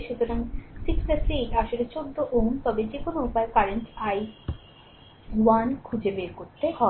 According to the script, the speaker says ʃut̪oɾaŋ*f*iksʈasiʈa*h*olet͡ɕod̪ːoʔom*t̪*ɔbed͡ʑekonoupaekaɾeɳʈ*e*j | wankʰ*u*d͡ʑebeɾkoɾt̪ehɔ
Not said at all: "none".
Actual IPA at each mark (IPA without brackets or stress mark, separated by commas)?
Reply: s, ʃ, t̪, a, u